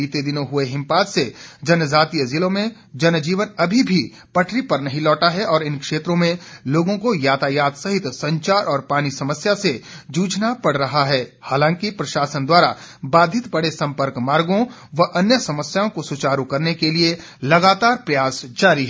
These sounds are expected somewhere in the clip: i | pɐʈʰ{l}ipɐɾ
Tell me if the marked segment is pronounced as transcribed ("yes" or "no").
no